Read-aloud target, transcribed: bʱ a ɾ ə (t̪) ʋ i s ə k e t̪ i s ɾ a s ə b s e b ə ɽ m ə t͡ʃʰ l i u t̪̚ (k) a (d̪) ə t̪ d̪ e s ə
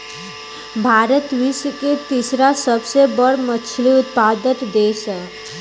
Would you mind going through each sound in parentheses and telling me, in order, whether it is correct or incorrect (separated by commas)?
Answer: correct, incorrect, correct